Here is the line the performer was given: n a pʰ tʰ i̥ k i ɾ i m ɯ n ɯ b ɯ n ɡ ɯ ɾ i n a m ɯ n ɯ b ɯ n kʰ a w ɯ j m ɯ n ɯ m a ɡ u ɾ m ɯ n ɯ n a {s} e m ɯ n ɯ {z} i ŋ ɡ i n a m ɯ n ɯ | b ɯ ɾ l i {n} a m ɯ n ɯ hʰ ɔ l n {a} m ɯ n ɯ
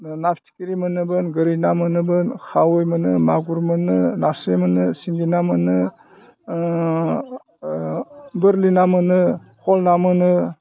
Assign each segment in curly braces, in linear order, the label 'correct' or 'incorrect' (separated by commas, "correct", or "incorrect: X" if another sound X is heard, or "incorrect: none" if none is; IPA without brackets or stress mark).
correct, incorrect: s, correct, correct